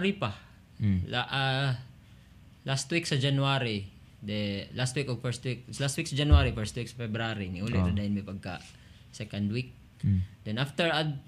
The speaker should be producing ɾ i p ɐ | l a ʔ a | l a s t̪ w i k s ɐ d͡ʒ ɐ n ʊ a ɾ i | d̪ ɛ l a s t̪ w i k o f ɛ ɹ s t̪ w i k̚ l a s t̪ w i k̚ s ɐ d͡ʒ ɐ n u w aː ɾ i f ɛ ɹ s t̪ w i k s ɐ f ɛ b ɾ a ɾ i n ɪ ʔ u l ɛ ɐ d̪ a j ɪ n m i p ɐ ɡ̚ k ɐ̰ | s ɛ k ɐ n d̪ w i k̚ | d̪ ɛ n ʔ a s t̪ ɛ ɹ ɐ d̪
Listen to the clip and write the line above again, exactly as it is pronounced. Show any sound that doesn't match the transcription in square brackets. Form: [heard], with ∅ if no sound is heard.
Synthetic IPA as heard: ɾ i p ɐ | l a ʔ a | l a s t̪ w i k s ɐ d͡ʒ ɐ n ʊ a ɾ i | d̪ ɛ l a s t̪ w i k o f ɛ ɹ s t̪ w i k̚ l a s t̪ w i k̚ s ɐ d͡ʒ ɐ n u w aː ɾ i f ɛ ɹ s t̪ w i k s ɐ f ɛ b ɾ a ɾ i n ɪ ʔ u l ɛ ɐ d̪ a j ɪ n m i p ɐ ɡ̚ k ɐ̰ | s ɛ k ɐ n d̪ w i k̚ | d̪ ɛ n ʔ a [f] t̪ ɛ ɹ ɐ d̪